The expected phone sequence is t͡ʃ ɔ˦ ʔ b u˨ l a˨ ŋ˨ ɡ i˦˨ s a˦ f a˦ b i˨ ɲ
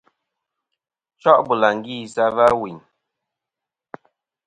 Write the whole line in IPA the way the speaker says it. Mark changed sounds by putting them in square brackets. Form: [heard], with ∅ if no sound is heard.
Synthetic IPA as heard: t͡ʃ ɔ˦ ʔ b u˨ l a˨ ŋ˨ ɡ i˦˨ s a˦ [v] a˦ [w] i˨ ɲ